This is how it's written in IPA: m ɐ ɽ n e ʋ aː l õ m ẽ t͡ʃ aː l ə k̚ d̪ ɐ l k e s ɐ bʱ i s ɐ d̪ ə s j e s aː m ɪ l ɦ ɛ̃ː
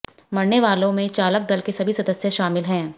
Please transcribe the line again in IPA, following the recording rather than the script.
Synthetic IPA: m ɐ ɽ n e ʋ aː l õ m ẽ t͡ʃ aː l ə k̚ d̪ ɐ l k e s ɐ bʱ i s ɐ d̪ ə s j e ʃ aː m ɪ l ɦ ɛ̃ː